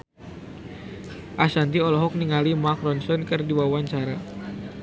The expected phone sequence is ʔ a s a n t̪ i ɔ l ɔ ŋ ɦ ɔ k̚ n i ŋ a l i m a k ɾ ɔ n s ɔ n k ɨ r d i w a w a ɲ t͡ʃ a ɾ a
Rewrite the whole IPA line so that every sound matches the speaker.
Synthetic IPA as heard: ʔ a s a n t̪ i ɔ l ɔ ɦ ɔ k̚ n i ŋ a l i m a k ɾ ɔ n s ɔ n k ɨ r d i w a w a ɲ t͡ʃ a ɾ a

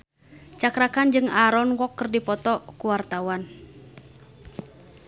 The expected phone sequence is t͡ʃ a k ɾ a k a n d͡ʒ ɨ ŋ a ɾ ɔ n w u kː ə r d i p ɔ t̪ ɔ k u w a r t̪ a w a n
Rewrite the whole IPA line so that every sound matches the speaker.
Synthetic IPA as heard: t͡ʃ a k ɾ a k a n d͡ʒ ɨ ŋ a ɾ ɔ n w ɔ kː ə r d i p ɔ t̪ ɔ k u w a r t̪ a w a n

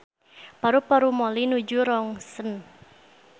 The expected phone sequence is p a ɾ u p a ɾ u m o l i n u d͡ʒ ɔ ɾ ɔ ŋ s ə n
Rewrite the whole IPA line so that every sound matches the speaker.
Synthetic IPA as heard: p a ɾ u p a ɾ u m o l i n u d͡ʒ u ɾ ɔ ŋ s ə n

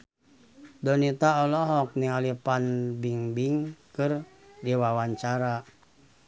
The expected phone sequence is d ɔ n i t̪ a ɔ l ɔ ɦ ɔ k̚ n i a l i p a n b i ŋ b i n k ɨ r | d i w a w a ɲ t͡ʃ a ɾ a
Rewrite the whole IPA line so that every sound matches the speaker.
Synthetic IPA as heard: d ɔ n i t̪ a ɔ l ɔ ɦ ɔ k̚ n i a l i p a n b i ŋ b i ŋ k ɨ r | d i w a w a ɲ t͡ʃ a ɾ a

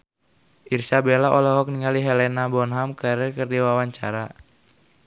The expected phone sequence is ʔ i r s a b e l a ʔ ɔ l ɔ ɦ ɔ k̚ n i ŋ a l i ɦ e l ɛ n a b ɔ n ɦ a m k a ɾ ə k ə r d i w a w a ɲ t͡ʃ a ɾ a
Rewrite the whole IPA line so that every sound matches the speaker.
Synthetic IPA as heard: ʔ i r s a b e l a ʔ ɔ l ɔ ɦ ɔ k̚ n i ŋ a l i ɦ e l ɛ n a b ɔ n ɦ a m k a ɾ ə k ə r d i w a w a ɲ t͡ʃ a ɾ a

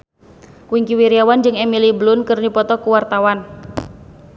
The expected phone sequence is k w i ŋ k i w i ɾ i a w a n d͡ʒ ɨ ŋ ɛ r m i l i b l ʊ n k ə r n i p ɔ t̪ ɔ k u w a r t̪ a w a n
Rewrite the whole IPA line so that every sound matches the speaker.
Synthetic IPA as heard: k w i ŋ k i w i ɾ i a w a n d͡ʒ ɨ ŋ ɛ m i l i b l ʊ n k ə r n i p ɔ t̪ ɔ k u w a r t̪ a w a n

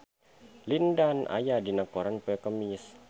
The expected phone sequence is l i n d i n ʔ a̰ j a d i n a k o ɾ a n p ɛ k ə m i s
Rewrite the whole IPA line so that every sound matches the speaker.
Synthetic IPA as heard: l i n d a n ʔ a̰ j a d i n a k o ɾ a n p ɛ k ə m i s

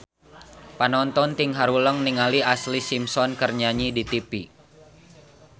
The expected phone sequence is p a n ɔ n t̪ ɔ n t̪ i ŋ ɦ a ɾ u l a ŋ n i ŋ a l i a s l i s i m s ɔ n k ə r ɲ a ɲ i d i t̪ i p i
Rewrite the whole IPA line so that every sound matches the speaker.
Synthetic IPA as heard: p a n ɔ n t̪ ɔ n t̪ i ŋ ɦ a ɾ u l ə ŋ n i ŋ a l i a s l i s i m s ɔ n k ə r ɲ a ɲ i d i t̪ i p i

